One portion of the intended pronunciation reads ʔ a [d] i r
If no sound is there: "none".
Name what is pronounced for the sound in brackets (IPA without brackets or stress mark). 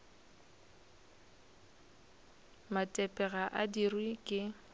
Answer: d